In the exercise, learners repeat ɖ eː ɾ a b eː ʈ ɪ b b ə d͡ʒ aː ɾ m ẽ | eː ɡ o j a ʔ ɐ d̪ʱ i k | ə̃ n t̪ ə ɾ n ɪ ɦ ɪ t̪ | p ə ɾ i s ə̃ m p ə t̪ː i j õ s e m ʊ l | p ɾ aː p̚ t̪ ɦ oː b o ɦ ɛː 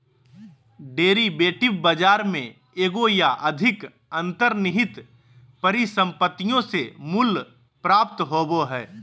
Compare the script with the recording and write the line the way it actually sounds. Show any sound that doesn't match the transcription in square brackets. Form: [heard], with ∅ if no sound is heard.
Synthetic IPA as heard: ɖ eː ɾ [i] b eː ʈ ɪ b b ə d͡ʒ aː ɾ m ẽ | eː ɡ o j a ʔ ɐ d̪ʱ [ɪ] k | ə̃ n t̪ ə ɾ n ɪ ɦ ɪ t̪ | p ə ɾ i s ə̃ m p ə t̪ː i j õ s e m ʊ l | p ɾ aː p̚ t̪ ɦ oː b o ɦ ɛː